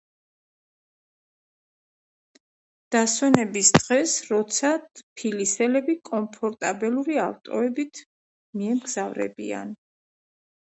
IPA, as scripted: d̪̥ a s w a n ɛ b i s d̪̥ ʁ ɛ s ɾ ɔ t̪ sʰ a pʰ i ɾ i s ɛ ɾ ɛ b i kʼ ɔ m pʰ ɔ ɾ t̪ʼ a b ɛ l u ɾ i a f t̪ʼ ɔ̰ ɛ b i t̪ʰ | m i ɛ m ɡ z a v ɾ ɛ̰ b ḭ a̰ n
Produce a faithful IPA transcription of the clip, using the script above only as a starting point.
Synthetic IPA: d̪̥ a s w ɛ n ɛ b i s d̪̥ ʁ ɛ s ɾ ɔ t̪ sʰ a pʰ i l i s ɛ l ɛ b i kʼ ɔ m pʰ ɔ ɾ t̪ʼ a b ɛ l u ɾ i a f t̪ʼ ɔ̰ ɛ b i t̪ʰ | m i ɛ m ɡ z a v ɾ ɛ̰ b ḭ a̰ n